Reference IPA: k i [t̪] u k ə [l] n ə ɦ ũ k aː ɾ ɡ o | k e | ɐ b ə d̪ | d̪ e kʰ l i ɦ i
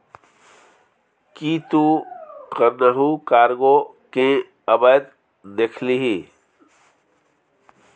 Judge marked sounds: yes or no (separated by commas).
yes, no